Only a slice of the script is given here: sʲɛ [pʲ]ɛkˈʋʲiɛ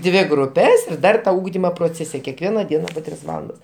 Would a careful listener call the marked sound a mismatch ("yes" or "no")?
yes